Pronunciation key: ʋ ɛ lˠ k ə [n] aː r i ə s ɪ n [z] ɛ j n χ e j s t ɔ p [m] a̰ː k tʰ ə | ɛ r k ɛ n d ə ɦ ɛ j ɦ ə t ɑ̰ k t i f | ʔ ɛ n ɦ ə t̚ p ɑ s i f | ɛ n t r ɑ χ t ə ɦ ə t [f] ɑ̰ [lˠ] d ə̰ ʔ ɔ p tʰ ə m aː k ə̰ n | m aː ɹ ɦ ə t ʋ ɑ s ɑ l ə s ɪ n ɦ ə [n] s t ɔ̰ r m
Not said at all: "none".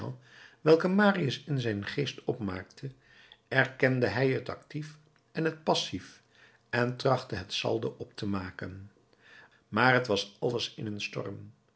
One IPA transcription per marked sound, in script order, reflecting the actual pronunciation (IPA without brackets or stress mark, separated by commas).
m, z, m, s, lˠ, n